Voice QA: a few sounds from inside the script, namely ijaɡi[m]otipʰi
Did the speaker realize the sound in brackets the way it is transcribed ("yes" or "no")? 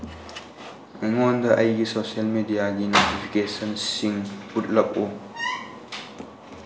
no